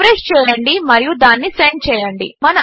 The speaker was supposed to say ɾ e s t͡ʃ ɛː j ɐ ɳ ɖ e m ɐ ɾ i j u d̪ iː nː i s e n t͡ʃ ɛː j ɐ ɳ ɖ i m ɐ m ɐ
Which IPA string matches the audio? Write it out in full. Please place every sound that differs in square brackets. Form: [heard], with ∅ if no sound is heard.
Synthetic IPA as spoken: ɾ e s t͡ʃ ɛː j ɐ ɳ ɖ [i] m ɐ ɾ i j u d̪ [aː] nː i s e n t͡ʃ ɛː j ɐ ɳ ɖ i m ɐ [n] ɐ